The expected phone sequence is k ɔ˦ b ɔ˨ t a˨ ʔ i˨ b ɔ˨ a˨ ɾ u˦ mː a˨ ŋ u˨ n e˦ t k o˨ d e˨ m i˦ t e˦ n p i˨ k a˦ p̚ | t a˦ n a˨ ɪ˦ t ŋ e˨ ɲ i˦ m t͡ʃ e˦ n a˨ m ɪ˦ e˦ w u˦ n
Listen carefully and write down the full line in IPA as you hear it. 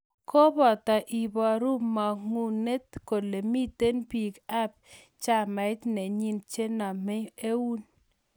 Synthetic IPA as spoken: k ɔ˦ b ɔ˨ t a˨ ʔ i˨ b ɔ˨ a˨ ɾ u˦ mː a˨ ŋ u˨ n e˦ t k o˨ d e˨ m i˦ t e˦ n p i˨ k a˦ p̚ | t͡ʃ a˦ m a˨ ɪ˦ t n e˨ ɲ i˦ n t͡ʃ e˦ n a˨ m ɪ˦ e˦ w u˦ n